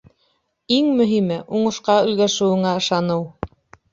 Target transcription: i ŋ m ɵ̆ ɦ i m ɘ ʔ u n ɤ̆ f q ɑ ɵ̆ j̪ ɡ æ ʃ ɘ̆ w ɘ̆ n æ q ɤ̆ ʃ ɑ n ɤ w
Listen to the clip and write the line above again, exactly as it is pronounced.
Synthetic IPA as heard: i ŋ m ɵ̆ ɦ i m ɘ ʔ u ɴ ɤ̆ ʃ q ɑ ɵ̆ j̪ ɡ æ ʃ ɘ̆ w ɘ̆ ŋ æ ɤ̆ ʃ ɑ n ɤ w

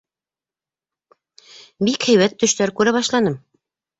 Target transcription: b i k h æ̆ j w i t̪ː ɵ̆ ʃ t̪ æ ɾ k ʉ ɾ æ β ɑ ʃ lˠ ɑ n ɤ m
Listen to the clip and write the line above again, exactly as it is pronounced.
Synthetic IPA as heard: b i k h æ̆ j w æ t̪ː ɵ̆ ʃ t̪ æ ɾ k ʉ ɾ æ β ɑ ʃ lˠ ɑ n ɤ m

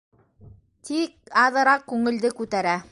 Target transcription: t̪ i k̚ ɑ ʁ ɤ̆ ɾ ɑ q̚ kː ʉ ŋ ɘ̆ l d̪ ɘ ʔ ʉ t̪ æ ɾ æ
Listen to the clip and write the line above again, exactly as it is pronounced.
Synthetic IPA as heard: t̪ i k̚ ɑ ð ɤ̆ ɾ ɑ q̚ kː ʉ ŋ ɘ̆ l d̪ ɘ k ʉ t̪ æ ɾ æ

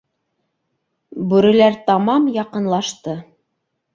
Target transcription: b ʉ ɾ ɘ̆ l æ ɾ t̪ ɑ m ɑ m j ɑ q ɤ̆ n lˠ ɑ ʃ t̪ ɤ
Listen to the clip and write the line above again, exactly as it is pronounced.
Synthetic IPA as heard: b ʉ ɾ ɘ̆ l æ ɾ t̪ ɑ m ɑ m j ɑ q ɤ̆ n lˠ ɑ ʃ t̪ ɤ

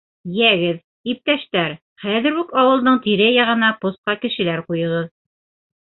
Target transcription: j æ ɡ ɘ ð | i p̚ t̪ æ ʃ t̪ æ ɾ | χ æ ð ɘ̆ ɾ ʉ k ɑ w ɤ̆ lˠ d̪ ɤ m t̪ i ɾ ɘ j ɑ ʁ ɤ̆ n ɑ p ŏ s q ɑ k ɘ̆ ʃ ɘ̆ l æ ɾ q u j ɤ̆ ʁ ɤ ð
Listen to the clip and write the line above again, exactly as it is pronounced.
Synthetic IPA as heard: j æ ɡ ɘ ð | i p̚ t̪ æ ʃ t̪ æ ɾ | χ æ ð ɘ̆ ɾ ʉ k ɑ w ɤ̆ lˠ d̪ ɤ ɴ t̪ i ɾ ɘ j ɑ ʁ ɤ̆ n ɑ p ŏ s q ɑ k ɘ̆ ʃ ɘ̆ l æ ɾ q u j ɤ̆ ʁ ɤ ð

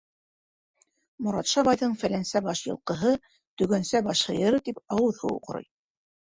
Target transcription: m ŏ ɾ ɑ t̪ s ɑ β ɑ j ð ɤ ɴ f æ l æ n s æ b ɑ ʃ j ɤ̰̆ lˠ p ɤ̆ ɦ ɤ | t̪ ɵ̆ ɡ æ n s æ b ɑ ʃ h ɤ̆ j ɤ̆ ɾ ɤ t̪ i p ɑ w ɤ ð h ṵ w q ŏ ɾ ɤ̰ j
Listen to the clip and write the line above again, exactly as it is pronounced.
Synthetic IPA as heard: m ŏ ɾ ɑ t̪ ʃ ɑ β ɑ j ð ɤ ɴ f æ l æ n s æ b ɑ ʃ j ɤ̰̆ lˠ q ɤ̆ ɦ ɤ | t̪ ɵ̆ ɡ æ n s æ b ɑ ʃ h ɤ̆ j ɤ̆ ɾ ɤ t̪ i p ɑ w ɤ ð h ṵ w q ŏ ɾ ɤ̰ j

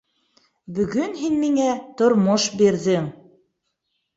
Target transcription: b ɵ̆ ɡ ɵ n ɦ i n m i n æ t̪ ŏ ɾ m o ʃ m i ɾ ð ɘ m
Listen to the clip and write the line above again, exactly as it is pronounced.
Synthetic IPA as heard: b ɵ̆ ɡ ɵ n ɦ i n m i ŋ æ t̪ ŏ ɾ m o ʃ b i ɾ ð ɘ ŋ

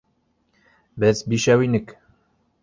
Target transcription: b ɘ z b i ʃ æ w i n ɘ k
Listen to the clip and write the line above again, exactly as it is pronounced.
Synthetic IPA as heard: b ɘ z b i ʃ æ w i n ɘ k

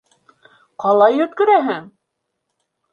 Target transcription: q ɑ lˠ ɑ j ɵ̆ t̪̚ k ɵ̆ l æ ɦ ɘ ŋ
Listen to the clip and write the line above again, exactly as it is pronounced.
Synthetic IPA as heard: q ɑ lˠ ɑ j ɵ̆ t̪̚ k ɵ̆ ɾ æ ɦ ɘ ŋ

